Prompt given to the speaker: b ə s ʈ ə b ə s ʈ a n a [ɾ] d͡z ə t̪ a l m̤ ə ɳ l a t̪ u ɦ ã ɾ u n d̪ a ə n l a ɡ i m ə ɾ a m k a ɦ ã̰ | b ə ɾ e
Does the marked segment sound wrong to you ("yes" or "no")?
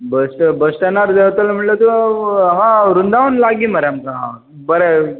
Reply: no